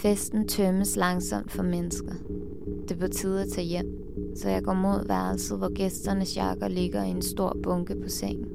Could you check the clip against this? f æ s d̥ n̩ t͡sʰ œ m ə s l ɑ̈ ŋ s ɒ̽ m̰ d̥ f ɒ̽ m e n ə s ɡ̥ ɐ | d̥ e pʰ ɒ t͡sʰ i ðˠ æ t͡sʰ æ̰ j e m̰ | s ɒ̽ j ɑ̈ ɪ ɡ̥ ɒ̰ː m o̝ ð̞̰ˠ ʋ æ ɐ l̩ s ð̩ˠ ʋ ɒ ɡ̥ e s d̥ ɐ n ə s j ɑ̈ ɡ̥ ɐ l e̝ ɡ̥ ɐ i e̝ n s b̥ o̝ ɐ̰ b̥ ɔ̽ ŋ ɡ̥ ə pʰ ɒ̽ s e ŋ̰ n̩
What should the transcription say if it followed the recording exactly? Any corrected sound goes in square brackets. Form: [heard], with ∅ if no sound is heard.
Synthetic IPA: f [e] s d̥ n̩ t͡sʰ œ m ə s l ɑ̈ ŋ s ɒ̽ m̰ d̥ f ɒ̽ m e n ə s ɡ̥ ɐ | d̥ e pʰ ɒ t͡sʰ i ðˠ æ t͡sʰ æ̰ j e m̰ | s ɒ̽ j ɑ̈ ɪ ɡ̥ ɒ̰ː m o̝ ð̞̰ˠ ʋ æ ɐ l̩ s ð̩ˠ ʋ ɒ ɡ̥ e s d̥ ɐ n ə s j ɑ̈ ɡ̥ ɐ l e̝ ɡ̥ ɐ i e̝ n s [d̥] o̝ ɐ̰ b̥ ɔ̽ ŋ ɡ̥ ə pʰ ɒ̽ s e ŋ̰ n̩